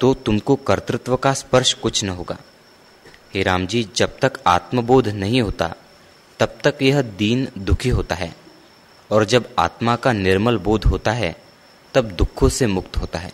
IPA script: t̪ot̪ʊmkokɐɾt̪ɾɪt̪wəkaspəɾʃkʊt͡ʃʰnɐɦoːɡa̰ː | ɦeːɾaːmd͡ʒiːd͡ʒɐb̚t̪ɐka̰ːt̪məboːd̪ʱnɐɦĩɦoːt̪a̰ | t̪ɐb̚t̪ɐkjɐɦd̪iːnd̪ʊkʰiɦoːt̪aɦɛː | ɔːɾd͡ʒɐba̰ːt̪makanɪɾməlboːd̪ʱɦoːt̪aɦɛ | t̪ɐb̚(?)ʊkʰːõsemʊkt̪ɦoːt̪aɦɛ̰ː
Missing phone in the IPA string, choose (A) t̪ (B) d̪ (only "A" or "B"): B